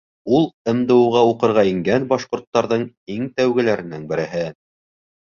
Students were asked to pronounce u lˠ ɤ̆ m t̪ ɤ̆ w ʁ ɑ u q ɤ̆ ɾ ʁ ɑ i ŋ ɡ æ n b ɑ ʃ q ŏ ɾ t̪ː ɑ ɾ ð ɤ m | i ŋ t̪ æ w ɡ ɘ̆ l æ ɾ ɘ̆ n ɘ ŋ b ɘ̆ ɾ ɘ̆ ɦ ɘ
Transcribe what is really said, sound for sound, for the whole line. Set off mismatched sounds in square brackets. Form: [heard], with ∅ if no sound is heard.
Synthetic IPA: u lˠ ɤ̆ m [d̪] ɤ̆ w ʁ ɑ u q ɤ̆ ɾ ʁ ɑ i ŋ ɡ æ n b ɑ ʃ q ŏ ɾ t̪ː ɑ ɾ ð ɤ [ɴ] | i ŋ t̪ æ w ɡ ɘ̆ l æ ɾ ɘ̆ n ɘ ŋ b ɘ̆ ɾ ɘ̆ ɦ ɘ